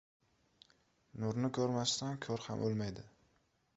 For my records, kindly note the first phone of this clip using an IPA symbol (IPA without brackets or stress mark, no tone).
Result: n